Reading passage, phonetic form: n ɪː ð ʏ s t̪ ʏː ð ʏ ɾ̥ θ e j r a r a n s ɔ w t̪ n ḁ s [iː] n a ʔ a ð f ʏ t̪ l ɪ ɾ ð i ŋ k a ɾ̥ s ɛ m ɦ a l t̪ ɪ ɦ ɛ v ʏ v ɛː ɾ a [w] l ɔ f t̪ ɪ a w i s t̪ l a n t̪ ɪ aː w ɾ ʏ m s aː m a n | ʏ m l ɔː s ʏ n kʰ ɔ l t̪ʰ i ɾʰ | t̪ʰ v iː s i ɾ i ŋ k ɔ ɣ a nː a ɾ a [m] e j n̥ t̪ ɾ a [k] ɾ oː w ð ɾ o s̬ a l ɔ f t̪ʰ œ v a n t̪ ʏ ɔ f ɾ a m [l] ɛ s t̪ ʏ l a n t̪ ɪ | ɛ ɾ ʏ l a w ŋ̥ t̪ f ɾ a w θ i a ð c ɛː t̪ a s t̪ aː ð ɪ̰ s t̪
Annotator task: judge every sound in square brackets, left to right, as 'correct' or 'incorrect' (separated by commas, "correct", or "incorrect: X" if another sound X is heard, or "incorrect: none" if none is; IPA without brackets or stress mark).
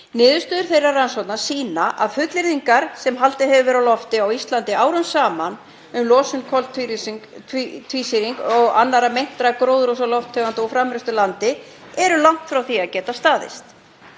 correct, correct, correct, correct, incorrect: ɾ